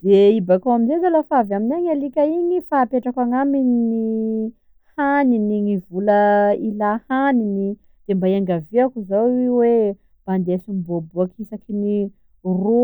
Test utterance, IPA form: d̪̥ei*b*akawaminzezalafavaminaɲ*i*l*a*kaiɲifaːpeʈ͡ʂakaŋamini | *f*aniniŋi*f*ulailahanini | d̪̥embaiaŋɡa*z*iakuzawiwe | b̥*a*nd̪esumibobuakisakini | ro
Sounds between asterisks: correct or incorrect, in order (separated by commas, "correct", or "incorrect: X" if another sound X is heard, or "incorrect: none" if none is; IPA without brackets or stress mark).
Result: correct, incorrect: a, incorrect: i, incorrect: h, incorrect: v, incorrect: v, correct